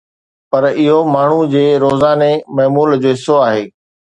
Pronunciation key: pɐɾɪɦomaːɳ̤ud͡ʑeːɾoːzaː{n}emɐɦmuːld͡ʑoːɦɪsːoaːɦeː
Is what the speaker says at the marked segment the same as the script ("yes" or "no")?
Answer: yes